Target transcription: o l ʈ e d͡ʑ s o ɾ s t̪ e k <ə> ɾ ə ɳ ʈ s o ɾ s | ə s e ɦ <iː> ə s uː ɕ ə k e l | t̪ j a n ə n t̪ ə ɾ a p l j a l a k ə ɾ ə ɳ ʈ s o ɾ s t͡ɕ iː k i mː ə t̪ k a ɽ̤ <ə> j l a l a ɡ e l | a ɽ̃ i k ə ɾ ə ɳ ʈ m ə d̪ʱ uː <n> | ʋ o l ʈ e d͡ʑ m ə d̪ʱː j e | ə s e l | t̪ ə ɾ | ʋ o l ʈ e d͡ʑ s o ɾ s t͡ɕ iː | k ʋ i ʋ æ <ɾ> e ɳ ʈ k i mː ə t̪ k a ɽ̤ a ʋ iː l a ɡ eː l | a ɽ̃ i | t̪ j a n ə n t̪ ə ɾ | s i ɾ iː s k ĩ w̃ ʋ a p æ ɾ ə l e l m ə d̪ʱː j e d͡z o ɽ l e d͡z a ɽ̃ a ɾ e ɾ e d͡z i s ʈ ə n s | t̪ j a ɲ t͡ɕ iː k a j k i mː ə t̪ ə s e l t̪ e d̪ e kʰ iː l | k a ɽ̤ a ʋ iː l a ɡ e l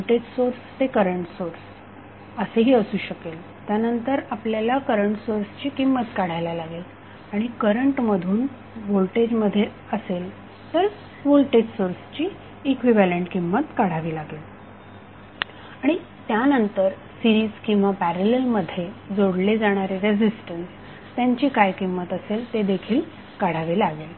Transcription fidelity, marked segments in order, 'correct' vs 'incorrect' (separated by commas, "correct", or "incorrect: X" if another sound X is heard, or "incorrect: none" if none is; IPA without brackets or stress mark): correct, correct, incorrect: a, correct, incorrect: l